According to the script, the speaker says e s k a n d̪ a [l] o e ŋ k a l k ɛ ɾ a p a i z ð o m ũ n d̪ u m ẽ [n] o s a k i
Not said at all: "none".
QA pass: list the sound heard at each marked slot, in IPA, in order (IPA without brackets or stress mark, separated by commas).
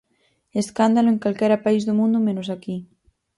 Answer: l, n